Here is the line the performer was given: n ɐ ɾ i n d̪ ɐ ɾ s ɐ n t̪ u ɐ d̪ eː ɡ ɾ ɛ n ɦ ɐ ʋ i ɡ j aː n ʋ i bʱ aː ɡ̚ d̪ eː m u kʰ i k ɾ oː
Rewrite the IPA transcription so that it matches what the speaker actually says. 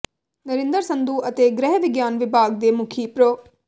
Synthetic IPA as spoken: n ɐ ɾ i n d̪ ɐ ɾ s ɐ n d̪ u ɐ t̪ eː ɡ ɾ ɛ ɦ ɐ ʋ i ɡ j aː n ʋ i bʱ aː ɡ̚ d̪ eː m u kʰ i p ɾ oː